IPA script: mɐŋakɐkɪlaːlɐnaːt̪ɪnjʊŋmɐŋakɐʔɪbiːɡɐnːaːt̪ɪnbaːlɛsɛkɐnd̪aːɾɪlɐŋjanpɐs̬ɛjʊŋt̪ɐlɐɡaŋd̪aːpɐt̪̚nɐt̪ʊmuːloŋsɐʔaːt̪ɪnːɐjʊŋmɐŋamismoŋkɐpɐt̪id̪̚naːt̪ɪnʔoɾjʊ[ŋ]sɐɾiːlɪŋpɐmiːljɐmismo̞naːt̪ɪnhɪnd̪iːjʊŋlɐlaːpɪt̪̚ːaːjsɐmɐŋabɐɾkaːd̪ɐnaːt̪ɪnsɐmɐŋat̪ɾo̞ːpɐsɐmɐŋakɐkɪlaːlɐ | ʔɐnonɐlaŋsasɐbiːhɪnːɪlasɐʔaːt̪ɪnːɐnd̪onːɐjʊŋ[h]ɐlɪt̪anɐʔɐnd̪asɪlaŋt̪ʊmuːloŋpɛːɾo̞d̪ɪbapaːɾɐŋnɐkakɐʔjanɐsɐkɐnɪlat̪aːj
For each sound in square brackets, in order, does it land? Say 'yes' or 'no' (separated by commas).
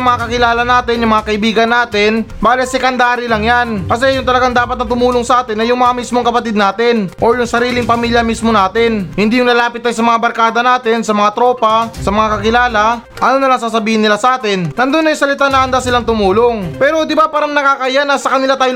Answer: yes, no